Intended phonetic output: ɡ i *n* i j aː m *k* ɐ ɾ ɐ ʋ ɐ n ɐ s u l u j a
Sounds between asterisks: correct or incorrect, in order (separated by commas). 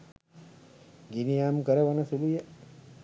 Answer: correct, correct